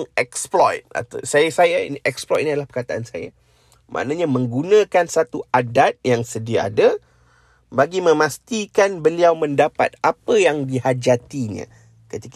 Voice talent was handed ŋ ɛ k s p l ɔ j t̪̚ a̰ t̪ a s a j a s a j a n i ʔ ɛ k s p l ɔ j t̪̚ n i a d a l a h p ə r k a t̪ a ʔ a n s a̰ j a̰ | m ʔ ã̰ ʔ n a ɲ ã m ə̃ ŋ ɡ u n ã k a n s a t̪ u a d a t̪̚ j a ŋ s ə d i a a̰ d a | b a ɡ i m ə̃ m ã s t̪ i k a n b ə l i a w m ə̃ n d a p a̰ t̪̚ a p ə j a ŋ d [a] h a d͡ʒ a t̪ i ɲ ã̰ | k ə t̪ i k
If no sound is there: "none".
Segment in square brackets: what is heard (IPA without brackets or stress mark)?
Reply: i